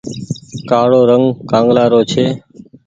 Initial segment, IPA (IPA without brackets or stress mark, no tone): k